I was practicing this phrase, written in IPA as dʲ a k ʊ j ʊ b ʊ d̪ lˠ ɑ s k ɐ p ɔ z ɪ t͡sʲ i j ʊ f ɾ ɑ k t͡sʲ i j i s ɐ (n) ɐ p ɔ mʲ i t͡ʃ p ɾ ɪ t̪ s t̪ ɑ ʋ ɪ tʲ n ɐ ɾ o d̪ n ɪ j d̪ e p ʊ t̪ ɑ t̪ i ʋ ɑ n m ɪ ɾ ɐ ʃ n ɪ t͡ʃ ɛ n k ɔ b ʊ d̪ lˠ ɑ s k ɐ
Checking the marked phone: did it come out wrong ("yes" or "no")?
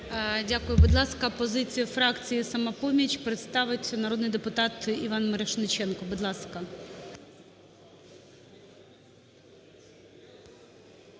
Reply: yes